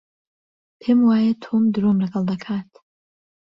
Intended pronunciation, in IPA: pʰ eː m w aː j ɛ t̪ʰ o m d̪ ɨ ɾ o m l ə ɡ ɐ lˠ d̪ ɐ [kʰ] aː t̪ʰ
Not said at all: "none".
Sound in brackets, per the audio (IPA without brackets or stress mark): kʰ